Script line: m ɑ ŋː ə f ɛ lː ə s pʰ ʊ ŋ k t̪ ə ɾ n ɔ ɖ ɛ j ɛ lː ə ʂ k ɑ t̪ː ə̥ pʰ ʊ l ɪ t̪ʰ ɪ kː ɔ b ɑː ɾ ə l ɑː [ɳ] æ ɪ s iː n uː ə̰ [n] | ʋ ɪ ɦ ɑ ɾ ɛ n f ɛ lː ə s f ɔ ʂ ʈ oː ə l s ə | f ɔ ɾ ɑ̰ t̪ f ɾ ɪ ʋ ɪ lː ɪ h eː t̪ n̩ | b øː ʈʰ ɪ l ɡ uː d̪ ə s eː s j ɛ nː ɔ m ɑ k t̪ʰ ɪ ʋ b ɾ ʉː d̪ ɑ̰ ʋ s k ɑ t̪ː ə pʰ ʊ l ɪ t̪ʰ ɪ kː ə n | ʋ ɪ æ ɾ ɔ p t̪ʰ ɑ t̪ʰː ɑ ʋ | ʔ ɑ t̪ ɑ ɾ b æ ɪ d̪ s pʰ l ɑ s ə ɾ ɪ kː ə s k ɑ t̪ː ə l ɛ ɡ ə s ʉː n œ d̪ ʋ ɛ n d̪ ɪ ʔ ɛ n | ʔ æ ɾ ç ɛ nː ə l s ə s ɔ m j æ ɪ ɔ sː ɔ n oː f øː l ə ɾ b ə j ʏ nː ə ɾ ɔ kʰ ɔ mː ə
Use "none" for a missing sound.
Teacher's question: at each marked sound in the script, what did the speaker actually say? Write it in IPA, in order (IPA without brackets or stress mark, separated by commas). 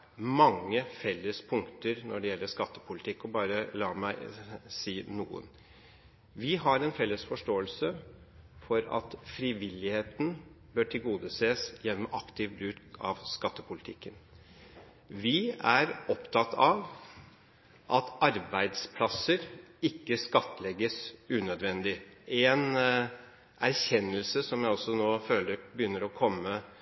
m, n